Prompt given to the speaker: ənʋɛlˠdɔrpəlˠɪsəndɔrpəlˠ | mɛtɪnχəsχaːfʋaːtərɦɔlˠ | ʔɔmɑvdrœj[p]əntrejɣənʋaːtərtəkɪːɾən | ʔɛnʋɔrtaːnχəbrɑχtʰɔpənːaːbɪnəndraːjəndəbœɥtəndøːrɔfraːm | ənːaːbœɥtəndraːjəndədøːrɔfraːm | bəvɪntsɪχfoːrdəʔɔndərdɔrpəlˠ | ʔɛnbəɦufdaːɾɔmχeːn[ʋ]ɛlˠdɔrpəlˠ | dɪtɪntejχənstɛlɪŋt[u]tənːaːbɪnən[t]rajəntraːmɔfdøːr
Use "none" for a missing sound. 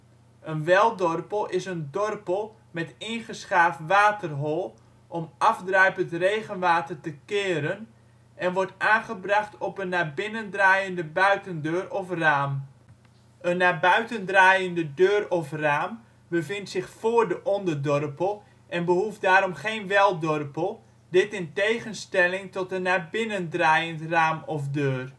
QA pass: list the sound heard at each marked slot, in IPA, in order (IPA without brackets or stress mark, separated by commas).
p, ʋ, ɔ, d